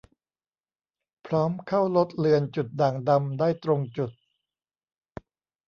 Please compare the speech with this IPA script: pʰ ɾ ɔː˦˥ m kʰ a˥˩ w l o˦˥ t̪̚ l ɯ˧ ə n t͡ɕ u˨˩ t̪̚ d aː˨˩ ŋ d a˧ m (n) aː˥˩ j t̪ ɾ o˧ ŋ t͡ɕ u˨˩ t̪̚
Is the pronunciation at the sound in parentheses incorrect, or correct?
incorrect